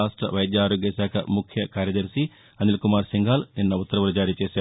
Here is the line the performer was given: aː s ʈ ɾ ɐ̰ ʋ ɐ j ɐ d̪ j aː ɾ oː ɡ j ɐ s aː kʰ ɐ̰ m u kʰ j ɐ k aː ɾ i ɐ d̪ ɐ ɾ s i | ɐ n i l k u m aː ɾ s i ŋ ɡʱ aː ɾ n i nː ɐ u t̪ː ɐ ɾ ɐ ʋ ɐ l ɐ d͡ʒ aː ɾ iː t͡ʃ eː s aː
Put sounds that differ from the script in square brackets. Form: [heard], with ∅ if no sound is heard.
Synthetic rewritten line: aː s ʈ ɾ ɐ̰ ʋ ɐ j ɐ d̪ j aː ɾ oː ɡ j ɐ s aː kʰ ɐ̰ m u kʰ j ɐ k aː ɾ [j] ɐ d̪ ɐ ɾ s i | ɐ n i l k u m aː ɾ s i ŋ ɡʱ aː [l] n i nː ɐ u t̪ː ɐ ɾ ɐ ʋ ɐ l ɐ d͡ʒ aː ɾ iː t͡ʃ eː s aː